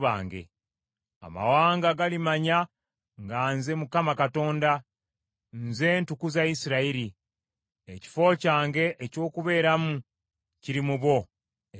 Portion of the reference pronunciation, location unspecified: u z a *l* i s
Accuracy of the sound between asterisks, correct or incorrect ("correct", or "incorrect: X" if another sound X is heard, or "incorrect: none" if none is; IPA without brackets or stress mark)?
incorrect: none